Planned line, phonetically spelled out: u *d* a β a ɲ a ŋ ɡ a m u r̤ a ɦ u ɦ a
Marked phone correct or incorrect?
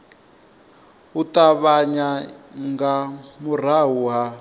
incorrect